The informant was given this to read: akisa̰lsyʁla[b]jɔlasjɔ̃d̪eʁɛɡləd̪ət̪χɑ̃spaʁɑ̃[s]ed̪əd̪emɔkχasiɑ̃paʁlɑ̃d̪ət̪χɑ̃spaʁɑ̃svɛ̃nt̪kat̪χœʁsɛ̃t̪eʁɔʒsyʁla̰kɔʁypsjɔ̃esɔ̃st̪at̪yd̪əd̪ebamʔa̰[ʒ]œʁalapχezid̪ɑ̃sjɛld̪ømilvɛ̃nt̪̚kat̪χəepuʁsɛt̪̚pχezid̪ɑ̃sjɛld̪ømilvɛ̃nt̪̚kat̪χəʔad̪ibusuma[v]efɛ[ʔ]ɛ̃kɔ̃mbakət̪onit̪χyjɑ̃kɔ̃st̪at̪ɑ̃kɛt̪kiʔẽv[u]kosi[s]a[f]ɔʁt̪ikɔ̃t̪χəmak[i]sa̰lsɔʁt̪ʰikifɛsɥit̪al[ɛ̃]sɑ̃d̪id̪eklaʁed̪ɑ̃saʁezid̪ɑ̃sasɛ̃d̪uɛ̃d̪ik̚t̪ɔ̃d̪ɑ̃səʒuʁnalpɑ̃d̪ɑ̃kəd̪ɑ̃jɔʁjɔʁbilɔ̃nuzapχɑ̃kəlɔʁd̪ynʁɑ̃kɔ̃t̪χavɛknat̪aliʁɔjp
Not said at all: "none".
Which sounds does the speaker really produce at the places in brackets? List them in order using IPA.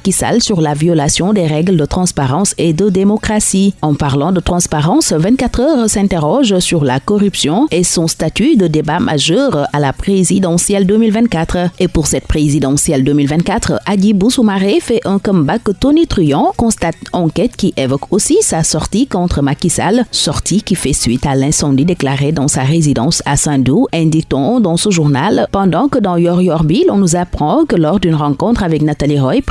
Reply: v, s, ʒ, ʁ, ʔ, ɔ, s, s, i, ɛ̃

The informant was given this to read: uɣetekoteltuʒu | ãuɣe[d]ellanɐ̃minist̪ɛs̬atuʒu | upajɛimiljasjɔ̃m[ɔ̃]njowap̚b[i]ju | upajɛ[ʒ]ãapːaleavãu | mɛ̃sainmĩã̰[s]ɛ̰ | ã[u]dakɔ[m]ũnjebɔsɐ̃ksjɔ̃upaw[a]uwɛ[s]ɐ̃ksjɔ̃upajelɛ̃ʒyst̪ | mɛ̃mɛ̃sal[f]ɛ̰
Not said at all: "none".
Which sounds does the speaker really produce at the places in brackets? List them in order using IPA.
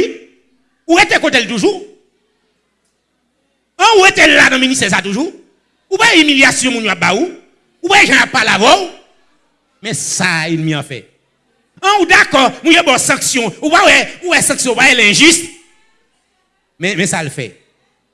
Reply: t, ũ, a, ʒ, f, u, m, ɛ, s, f

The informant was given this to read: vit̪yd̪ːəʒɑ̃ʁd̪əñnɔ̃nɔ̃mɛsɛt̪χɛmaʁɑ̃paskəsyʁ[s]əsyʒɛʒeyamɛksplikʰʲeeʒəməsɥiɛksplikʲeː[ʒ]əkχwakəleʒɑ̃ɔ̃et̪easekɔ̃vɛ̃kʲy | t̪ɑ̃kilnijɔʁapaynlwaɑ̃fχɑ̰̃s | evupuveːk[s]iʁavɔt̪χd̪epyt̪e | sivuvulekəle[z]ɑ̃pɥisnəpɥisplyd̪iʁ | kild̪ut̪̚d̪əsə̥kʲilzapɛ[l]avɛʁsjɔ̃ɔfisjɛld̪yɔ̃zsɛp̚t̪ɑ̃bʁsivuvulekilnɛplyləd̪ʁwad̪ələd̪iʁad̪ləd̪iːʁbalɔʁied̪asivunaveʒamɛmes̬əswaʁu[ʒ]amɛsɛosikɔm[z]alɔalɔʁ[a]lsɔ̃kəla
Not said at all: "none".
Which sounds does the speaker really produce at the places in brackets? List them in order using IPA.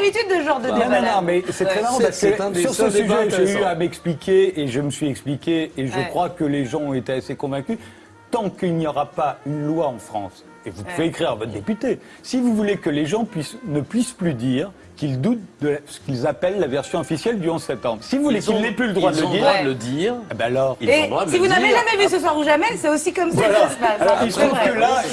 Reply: s, ʒ, χ, ʒ, lː, ʒ, s, i

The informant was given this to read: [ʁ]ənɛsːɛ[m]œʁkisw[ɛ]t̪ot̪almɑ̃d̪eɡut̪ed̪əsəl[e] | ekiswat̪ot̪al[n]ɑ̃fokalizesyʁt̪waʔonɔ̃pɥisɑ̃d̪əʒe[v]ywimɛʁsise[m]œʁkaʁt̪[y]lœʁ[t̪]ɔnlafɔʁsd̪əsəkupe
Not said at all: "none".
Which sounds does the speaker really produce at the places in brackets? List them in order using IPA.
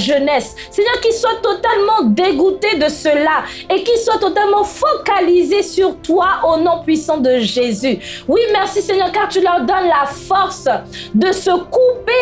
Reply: ʒ, ɲ, a, a, m, z, ɲ, y, d̪

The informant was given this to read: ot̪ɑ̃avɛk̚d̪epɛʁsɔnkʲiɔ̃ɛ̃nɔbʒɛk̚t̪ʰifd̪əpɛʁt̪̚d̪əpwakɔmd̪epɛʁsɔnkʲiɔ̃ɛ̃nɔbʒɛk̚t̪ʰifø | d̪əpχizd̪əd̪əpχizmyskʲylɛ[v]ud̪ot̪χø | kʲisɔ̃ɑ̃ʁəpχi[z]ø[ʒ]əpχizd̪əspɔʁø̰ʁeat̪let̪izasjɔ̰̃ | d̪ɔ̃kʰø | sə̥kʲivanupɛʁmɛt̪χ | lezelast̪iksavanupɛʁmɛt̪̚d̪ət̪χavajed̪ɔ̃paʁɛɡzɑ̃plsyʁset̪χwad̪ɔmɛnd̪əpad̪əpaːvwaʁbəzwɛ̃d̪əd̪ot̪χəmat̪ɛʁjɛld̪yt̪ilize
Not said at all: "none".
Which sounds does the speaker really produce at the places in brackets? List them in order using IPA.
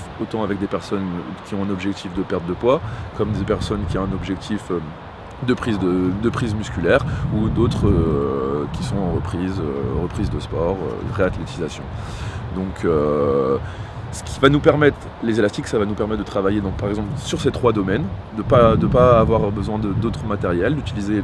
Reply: ʁ, z, ʁ

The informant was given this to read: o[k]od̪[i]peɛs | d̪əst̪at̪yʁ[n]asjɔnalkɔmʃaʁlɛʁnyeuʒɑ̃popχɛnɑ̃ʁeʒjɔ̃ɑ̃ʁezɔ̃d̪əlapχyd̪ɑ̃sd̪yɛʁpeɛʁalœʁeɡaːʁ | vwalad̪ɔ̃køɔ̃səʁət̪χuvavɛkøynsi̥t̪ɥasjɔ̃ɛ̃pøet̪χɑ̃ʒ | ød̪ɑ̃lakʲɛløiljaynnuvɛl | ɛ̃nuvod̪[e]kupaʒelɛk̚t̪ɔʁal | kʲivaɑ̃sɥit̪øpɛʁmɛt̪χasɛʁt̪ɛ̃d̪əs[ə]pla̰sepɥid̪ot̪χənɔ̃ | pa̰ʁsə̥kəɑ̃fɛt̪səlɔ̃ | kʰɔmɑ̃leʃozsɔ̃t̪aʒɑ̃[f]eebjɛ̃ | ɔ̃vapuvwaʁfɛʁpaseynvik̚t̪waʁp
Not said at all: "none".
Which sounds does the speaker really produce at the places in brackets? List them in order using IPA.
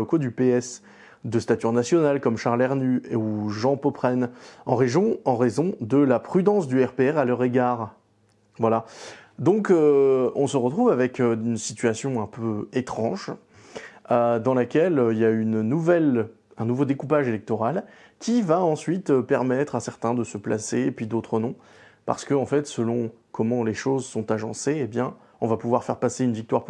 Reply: k, y, n, e, ə, s

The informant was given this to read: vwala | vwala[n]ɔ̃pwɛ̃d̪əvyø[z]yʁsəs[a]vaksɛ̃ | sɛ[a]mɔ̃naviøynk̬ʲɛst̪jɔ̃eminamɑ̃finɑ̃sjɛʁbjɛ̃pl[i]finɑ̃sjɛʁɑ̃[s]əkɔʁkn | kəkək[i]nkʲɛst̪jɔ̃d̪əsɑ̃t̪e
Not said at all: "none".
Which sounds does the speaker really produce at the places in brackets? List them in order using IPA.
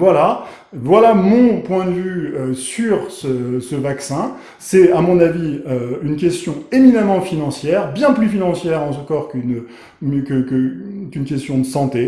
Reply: m, s, ə, a, y, s, y

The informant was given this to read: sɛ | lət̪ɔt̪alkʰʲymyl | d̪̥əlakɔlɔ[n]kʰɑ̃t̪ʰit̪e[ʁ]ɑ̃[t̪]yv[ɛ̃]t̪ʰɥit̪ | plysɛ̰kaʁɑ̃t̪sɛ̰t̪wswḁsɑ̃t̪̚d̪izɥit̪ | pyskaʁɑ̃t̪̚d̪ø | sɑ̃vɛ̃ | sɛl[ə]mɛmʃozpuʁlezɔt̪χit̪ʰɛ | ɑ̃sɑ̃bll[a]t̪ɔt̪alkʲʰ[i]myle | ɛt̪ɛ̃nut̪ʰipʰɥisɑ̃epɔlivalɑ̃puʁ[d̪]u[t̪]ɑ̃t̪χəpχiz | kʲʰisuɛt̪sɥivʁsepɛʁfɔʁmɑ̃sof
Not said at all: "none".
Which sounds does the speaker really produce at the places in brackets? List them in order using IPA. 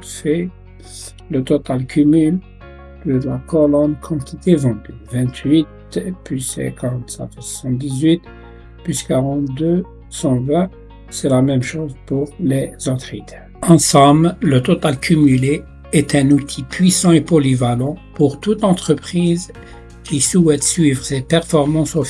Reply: n, v, d̪, ɛ̃, a, ə, y, t̪, t̪

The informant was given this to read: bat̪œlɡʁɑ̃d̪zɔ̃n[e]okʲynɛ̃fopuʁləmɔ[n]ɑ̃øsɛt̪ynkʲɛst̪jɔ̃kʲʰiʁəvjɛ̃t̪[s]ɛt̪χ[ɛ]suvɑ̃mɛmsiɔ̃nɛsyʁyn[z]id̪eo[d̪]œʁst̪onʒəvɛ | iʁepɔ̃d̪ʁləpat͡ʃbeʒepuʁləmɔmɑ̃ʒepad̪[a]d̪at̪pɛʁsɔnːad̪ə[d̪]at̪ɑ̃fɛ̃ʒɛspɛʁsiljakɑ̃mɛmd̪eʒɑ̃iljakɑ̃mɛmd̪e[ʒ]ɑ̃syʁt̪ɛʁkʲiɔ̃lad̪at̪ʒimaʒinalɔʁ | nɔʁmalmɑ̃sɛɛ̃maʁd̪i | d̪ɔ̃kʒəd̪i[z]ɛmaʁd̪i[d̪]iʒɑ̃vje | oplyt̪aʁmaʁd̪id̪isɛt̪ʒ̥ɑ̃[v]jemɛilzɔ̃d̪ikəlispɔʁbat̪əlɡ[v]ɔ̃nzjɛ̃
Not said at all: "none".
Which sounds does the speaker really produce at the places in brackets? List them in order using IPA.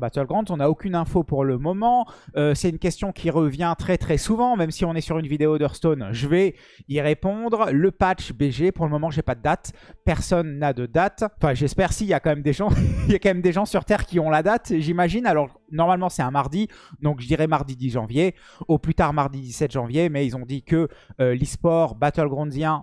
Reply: a, m, χ, ɛ, v, d̪, ə, d̪, ʒ, ʁ, d̪, v, ʁ

